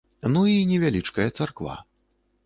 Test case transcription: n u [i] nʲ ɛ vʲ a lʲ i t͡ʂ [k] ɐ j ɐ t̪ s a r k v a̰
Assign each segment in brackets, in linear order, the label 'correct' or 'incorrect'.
correct, correct

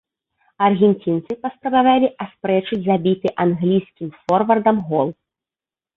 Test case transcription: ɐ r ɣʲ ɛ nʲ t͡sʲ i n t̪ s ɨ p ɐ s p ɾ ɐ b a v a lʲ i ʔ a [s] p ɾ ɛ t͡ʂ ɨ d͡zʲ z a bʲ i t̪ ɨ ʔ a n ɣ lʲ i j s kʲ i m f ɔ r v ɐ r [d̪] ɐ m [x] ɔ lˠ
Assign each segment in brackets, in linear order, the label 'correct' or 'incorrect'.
correct, correct, incorrect

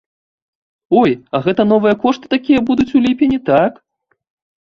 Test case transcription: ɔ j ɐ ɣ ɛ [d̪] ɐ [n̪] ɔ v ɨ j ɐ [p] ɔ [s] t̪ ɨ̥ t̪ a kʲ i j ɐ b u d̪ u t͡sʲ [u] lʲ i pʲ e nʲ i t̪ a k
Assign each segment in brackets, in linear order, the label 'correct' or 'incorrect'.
incorrect, correct, incorrect, incorrect, correct

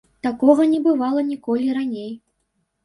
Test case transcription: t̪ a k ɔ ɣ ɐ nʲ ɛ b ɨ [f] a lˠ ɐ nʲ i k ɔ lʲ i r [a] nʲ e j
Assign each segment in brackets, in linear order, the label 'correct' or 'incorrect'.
incorrect, correct

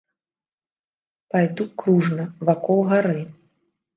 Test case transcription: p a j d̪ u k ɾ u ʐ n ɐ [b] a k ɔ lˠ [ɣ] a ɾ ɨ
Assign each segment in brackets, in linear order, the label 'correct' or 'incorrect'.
incorrect, correct

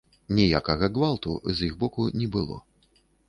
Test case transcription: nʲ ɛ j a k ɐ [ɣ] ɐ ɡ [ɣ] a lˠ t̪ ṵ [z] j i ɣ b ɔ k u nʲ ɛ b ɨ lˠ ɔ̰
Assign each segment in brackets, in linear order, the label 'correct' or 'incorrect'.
correct, incorrect, correct

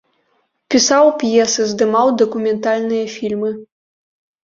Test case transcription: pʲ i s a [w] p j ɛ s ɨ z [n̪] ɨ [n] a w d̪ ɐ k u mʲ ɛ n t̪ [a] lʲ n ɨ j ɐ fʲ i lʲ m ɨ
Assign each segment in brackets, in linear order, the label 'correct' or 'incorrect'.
correct, incorrect, incorrect, correct

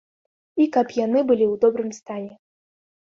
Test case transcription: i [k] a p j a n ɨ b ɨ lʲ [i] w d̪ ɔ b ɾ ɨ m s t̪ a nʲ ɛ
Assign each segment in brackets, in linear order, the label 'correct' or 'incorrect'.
correct, correct

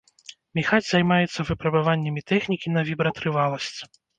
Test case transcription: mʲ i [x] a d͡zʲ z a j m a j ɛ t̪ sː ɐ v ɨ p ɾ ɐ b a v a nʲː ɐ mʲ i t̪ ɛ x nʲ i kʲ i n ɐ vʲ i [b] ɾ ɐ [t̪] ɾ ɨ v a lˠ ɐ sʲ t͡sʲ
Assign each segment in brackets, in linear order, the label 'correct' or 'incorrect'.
correct, correct, correct

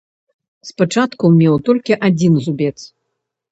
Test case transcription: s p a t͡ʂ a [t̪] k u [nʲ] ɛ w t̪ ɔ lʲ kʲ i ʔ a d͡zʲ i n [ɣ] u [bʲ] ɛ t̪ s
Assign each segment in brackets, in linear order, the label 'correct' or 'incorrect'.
correct, incorrect, incorrect, correct

